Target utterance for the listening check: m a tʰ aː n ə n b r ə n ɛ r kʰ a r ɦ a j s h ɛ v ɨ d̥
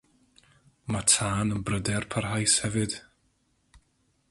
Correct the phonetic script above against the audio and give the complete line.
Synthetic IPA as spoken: m a tʰ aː n ə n b r ə d ɛ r pʰ a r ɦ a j s h ɛ v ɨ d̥